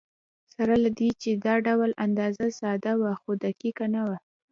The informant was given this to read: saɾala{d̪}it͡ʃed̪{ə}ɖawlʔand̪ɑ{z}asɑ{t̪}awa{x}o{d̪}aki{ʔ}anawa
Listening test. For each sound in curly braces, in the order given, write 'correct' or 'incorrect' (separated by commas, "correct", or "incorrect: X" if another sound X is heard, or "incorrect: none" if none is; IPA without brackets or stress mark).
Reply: correct, incorrect: ɑ, correct, incorrect: d̪, correct, correct, incorrect: k